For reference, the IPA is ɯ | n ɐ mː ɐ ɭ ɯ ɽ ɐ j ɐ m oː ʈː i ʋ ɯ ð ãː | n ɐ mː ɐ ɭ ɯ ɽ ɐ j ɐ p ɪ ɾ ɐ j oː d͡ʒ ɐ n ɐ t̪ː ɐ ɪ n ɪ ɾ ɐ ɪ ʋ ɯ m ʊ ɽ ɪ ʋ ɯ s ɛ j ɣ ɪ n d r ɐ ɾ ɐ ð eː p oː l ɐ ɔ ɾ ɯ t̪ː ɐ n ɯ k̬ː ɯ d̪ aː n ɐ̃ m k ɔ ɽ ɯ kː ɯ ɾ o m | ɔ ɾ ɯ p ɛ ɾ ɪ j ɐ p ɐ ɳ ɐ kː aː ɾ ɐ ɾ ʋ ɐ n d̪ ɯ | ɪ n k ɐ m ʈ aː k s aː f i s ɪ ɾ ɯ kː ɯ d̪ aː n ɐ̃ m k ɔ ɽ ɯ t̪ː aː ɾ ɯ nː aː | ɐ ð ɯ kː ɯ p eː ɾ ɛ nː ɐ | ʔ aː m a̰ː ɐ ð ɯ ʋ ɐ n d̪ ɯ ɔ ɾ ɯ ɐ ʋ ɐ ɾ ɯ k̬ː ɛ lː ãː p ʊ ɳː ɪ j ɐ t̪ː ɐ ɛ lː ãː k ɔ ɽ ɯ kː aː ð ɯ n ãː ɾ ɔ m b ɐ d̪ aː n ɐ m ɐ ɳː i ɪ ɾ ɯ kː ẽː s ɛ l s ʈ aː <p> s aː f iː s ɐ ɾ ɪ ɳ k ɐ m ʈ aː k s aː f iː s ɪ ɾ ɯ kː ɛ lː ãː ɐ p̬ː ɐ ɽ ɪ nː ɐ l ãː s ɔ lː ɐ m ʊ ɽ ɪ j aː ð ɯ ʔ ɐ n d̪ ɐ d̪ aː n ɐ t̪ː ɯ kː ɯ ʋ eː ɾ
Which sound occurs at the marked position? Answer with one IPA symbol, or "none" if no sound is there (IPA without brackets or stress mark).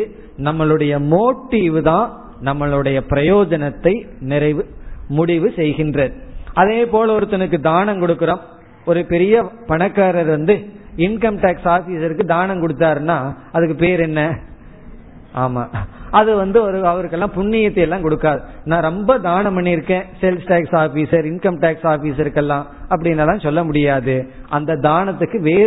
k